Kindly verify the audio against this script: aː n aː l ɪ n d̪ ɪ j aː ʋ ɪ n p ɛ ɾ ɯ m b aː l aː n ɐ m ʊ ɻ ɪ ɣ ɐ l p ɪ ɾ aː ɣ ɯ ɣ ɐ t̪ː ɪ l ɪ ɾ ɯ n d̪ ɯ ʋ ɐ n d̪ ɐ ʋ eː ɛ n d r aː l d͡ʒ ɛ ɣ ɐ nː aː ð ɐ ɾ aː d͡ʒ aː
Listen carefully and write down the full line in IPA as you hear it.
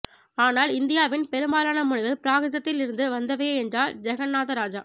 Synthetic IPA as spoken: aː n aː l ɪ n d̪ ɪ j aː ʋ ɪ n p ɛ ɾ ɯ m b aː l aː n ɐ m ʊ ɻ ɪ ɣ ɐ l p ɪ ɾ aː ɣ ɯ ð ɐ t̪ː ɪ l ɪ ɾ ɯ n d̪ ɯ ʋ ɐ n d̪ ɐ ʋ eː ɛ n d r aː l d͡ʒ ɛ ɣ ɐ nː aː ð ɐ ɾ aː d͡ʒ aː

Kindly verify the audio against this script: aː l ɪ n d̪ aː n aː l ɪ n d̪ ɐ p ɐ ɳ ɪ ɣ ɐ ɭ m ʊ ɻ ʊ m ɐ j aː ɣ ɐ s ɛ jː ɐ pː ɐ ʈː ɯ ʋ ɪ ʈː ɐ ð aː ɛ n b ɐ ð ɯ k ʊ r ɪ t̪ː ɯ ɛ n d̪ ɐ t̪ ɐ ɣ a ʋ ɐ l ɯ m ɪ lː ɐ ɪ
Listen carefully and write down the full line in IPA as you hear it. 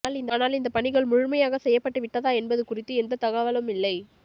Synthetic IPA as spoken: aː l ɪ n d̪ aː n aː l ɪ n d̪ ɐ p ɐ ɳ ɪ ɣ ɐ ɭ m ʊ ɻ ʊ m ɐ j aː ɣ ɐ s ɛ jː ɐ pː ɐ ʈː ɯ ʋ ɪ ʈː ɐ ð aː ɛ n b ɐ ð ɯ k ʊ r ɪ t̪ː ɯ ɛ n d̪ ɐ t̪ ɐ ɣ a ʋ ɐ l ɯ m ɪ lː ɐ ɪ

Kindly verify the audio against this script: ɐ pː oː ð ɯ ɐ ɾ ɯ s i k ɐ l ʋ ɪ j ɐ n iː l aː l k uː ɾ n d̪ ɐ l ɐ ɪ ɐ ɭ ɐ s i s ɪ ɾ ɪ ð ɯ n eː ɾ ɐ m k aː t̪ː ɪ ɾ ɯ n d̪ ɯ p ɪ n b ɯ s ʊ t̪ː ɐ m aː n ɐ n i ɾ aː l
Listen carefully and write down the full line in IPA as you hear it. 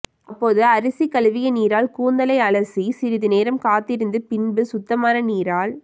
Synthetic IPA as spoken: ɐ pː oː ð ɯ ɐ ɾ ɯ s i k ɐ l ʋ ɪ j ɐ n iː ɾ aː l k uː n d̪ ɐ l ɐ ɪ ɐ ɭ ɐ s i s ɪ ɾ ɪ ð ɯ n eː ɾ ɐ m k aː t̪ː ɪ ɾ ɯ n d̪ ɯ p ɪ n b ɯ s ʊ t̪ː ɐ m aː n ɐ n iː ɾ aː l

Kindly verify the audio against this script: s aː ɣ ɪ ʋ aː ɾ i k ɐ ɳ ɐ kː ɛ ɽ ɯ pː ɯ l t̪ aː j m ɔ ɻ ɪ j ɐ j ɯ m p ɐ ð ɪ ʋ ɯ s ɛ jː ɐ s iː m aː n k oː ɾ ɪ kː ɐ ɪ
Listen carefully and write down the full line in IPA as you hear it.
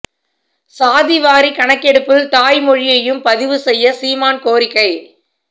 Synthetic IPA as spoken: s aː ð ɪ ʋ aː ɾ i k ɐ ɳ ɐ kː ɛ ɽ ɯ pː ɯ l t̪ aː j m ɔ ɻ ɪ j ɐ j ɯ m p ɐ ð ɪ ʋ ɯ s ɛ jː ɐ s iː m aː n k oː ɾ ɪ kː ɐ ɪ

